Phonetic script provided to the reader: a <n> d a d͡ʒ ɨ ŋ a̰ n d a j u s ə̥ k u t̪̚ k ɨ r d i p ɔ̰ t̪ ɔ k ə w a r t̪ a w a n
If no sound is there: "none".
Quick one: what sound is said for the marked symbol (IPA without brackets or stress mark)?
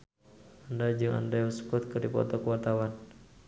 n